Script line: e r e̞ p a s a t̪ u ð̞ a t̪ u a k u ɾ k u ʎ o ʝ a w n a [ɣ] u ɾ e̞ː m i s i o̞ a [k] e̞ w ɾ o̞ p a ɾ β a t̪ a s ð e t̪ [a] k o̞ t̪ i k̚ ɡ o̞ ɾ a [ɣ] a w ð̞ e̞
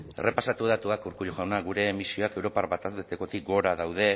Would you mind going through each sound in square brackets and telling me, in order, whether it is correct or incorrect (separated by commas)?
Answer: correct, correct, incorrect, incorrect